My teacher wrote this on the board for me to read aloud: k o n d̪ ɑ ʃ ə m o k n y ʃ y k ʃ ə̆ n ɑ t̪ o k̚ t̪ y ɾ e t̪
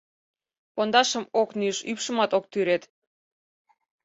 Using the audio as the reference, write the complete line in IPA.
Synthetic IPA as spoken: p o n d̪ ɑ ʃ ə m o k n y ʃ y p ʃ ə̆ m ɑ t̪ o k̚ t̪ y ɾ e t̪